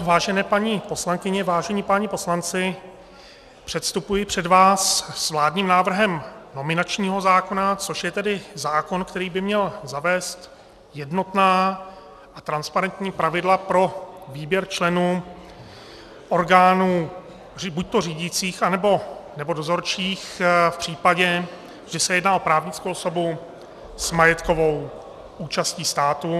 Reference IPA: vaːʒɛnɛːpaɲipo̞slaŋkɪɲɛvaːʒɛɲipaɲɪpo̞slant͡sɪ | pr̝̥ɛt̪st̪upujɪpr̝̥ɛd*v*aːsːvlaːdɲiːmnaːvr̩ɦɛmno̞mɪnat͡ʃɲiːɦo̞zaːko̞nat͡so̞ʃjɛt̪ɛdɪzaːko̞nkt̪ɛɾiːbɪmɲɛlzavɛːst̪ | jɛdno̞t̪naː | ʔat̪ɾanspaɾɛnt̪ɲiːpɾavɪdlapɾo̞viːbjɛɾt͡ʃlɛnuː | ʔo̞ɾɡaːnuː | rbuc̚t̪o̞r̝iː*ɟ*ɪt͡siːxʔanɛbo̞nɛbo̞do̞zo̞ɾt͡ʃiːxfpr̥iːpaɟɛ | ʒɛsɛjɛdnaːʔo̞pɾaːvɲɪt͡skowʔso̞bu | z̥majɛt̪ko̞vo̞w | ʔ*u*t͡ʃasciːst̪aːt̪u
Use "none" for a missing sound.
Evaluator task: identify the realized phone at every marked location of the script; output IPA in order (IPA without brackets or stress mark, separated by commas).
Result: v, ɟ, uː